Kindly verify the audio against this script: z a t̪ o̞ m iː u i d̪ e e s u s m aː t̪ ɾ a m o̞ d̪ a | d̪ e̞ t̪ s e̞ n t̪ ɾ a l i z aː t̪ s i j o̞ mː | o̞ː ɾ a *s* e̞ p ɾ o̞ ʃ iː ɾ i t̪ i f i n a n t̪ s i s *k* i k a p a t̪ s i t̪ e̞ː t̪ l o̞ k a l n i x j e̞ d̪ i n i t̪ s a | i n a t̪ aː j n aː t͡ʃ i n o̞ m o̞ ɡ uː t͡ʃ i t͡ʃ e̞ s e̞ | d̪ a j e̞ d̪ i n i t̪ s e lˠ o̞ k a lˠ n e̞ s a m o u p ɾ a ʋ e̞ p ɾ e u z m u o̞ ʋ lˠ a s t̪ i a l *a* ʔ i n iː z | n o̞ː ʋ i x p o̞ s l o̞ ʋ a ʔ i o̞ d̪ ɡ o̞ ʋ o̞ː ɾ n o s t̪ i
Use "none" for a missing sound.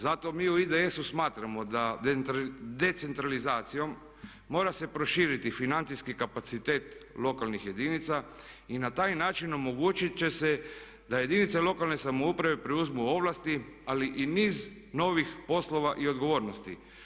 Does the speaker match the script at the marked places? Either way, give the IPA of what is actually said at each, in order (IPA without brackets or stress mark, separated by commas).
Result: s, k, i